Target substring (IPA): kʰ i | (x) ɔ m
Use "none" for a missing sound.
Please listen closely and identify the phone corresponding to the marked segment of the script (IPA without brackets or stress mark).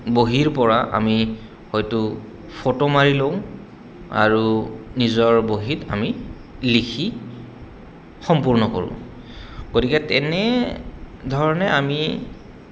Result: x